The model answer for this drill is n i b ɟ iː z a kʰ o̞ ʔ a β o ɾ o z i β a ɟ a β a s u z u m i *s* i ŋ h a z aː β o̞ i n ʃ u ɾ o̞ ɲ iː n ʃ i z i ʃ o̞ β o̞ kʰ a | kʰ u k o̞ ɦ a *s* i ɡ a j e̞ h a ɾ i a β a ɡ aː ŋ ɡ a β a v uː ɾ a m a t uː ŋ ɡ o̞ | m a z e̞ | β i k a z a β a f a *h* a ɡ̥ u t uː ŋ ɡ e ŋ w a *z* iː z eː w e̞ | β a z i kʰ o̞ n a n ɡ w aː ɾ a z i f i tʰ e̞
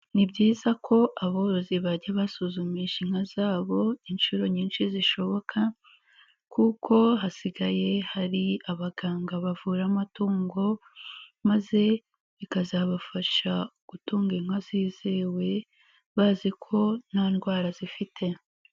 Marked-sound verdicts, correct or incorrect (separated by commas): incorrect, correct, incorrect, correct